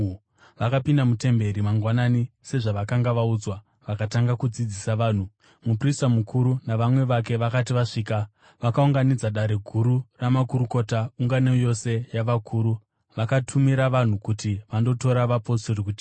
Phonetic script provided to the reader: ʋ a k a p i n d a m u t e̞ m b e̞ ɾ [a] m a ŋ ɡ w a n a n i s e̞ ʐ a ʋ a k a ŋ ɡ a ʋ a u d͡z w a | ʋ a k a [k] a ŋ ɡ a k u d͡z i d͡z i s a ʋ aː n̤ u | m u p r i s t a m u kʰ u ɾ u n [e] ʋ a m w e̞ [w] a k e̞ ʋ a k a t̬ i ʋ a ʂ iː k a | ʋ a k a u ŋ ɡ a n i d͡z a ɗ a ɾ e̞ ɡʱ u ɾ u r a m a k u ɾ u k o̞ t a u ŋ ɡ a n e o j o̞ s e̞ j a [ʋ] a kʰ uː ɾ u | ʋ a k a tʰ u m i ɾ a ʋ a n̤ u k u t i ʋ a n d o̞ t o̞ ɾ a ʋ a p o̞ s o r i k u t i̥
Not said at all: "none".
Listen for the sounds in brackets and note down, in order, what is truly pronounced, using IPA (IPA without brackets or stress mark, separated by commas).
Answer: i, t, a, ʋ, ʋ